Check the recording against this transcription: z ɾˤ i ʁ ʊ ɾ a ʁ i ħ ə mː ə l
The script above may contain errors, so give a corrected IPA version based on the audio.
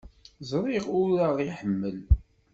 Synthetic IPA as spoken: z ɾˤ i ʁ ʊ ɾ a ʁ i ħ ə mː ə l